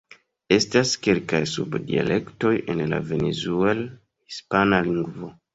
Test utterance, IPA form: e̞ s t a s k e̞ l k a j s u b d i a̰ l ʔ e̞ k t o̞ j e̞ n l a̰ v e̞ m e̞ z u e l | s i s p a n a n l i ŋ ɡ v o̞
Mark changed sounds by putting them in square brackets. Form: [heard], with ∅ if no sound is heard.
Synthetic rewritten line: e̞ s t a s k e̞ l k a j s u b d i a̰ l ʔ e̞ k t o̞ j e̞ n l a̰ v e̞ [n] e̞ z u e l | [h] i s p a n a [∅] l i ŋ ɡ v o̞